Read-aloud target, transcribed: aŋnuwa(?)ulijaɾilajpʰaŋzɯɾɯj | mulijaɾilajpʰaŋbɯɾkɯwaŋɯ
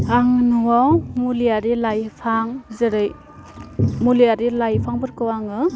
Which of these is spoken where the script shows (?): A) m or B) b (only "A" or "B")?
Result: A